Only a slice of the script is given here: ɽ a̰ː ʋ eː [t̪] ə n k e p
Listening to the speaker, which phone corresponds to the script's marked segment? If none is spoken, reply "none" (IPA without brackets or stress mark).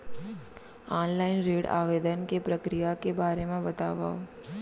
d̪